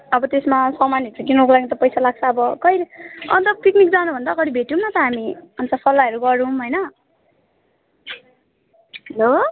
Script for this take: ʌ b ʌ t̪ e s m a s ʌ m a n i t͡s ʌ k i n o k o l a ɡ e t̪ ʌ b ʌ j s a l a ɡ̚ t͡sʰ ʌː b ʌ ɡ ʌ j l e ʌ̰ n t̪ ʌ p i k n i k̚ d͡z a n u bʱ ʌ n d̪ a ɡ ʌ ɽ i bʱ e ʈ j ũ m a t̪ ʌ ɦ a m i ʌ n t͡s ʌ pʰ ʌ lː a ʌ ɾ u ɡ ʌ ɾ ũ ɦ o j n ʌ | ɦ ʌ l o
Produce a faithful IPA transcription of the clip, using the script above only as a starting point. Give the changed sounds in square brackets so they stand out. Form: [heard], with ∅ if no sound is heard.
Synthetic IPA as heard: ʌ b ʌ t̪ e s m a s ʌ m a n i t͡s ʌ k i n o k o l a ɡ [i] t̪ ʌ [p] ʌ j s a l a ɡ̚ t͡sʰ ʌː b ʌ [k] ʌ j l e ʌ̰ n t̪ ʌ p i k n i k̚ d͡z a n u bʱ ʌ n d̪ a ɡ ʌ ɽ i bʱ e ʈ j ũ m a t̪ ʌ ɦ a m i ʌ n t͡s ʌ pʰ ʌ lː a ʌ ɾ u ɡ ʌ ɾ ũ ɦ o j n ʌ | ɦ ʌ l o